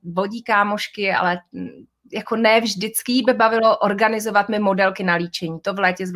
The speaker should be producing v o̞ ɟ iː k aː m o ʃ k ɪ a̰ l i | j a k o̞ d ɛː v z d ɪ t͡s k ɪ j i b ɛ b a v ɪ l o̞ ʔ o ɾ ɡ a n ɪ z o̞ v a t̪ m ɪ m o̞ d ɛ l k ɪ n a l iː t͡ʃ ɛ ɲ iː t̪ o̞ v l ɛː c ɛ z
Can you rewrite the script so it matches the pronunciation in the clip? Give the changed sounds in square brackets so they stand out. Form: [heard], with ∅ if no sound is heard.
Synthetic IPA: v o̞ ɟ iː k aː m o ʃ k ɪ a̰ l [ɛ] | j a k o̞ [n] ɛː v [ʒ] d ɪ t͡s k ɪ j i b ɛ b a v ɪ l o̞ ʔ o ɾ ɡ a n ɪ z o̞ v a t̪ m ɪ m o̞ d ɛ l k ɪ n a l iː t͡ʃ ɛ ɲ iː t̪ o̞ v l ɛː c ɛ z